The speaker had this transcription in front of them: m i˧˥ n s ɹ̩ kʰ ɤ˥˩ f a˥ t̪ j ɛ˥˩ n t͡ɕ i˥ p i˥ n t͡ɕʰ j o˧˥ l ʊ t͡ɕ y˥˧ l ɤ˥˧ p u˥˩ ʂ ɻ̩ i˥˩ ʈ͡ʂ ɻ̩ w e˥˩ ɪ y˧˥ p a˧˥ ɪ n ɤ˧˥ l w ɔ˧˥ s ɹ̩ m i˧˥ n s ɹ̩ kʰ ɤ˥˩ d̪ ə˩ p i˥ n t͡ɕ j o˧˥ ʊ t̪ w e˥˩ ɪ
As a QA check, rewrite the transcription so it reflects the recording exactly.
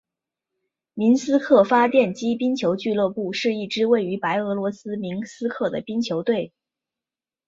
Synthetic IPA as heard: m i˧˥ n s ɹ̩ kʰ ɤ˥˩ f a˥ t̪ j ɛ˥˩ n t͡ɕ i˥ p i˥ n t͡ɕʰ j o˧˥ ʊ t͡ɕ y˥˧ l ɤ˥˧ p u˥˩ ʂ ɻ̩ i˥˩ ʈ͡ʂ ɻ̩ w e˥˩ ɪ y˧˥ p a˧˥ ɪ ɤ˧˥ l w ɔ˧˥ s ɹ̩ m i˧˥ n s ɹ̩ kʰ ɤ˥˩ d̪ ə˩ p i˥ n t͡ɕʰ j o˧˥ ʊ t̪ w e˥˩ ɪ

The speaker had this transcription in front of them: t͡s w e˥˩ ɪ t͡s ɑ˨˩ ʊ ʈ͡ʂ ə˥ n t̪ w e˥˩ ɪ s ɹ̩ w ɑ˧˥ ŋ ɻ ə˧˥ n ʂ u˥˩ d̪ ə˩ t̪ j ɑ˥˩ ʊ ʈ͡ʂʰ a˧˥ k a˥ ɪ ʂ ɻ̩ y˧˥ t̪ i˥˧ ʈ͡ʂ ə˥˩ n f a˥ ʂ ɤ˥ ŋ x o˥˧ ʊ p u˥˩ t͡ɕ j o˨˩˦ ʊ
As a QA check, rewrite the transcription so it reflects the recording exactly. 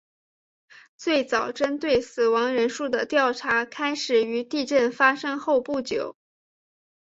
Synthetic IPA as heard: t͡s w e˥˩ ɪ t͡s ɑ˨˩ ʊ ʈ͡ʂ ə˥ n t̪ w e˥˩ ɪ s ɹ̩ w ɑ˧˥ ŋ ɻ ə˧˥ n ʂ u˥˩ d̪ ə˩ t̪ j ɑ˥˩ ʊ ʈ͡ʂʰ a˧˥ kʰ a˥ ɪ ʂ ɻ̩ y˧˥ t̪ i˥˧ ʈ͡ʂ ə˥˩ n f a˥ ʂ ɤ˥ ŋ x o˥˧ ʊ p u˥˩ t͡ɕ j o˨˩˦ ʊ

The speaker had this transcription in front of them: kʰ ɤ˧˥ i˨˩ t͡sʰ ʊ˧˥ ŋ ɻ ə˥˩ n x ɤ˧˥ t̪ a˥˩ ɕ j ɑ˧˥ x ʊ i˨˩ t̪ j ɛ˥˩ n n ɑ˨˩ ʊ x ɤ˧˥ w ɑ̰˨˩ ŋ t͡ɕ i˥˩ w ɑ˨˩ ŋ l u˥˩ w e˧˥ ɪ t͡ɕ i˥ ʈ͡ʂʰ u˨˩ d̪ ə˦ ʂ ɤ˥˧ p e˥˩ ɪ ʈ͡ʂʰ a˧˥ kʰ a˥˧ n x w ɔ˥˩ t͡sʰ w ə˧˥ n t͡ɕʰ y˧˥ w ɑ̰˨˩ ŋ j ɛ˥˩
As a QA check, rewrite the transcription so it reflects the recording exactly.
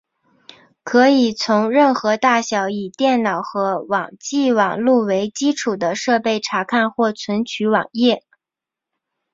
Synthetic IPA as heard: kʰ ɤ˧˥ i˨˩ t͡sʰ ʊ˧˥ ŋ ɻ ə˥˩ n x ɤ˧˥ t̪ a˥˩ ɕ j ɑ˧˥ ʊ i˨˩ t̪ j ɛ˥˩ n n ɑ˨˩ ʊ x ɤ˧˥ w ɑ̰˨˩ ŋ t͡ɕ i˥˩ w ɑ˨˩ ŋ l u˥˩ w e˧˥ ɪ t͡ɕ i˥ ʈ͡ʂʰ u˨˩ d̪ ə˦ ʂ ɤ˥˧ p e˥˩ ɪ ʈ͡ʂʰ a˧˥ kʰ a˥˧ n x w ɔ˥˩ t͡sʰ w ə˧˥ n t͡ɕʰ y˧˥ w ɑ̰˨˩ ŋ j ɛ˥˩

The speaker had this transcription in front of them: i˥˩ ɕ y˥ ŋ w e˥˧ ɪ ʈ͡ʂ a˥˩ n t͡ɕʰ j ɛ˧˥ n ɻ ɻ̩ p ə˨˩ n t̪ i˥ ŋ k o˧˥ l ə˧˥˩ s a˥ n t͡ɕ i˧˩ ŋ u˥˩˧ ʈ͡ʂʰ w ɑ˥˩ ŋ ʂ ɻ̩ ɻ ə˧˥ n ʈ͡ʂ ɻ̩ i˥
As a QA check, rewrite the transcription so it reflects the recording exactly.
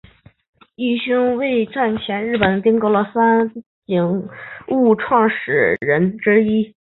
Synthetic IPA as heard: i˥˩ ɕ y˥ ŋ w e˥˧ ɪ ʈ͡ʂ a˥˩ n t͡ɕʰ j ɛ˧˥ n ɻ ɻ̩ p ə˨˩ n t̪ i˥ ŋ k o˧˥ l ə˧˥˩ s a˥ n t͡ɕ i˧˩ ŋ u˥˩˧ ʈ͡ʂʰ w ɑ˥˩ ŋ ʂ ɻ̩ ɻ ə˧˥ n ʈ͡ʂ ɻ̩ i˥

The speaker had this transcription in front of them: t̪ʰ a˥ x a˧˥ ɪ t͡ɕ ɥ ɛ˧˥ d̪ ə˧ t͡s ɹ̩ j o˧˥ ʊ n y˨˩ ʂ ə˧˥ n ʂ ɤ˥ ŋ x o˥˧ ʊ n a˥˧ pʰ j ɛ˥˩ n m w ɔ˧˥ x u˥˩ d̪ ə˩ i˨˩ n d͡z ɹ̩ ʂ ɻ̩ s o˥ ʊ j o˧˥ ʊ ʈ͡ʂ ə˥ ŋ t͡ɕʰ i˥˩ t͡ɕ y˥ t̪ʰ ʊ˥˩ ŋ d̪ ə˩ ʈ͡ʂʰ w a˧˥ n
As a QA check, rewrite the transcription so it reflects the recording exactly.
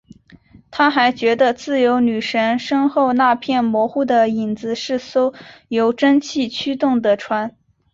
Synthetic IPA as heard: t̪ʰ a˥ x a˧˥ ɪ t͡ɕ ɥ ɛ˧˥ d̪ ə˧ t͡s ɹ̩ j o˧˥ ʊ n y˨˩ ʂ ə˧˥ n ʂ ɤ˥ ŋ x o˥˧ ʊ n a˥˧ pʰ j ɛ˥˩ n m w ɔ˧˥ x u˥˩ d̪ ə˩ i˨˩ n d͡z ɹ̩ ʂ ɻ̩ s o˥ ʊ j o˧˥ ʊ ʈ͡ʂ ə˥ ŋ t͡ɕʰ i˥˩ t͡ɕʰ y˥ t̪ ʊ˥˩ ŋ d̪ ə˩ ʈ͡ʂʰ w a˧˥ n

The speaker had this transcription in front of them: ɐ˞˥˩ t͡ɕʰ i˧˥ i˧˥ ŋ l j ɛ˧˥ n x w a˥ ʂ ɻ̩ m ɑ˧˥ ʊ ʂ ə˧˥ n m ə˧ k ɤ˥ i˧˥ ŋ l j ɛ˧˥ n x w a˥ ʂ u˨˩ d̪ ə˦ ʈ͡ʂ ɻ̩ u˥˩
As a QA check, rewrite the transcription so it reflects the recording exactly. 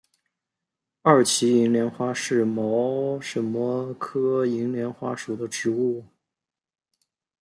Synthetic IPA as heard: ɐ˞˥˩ t͡ɕʰ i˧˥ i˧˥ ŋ l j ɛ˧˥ n x w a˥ ʂ ɻ̩ m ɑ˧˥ ʊ ʂ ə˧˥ n m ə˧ kʰ ɤ˥ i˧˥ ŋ l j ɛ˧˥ n x w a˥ ʂ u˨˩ d̪ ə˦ ʈ͡ʂ ɻ̩ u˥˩

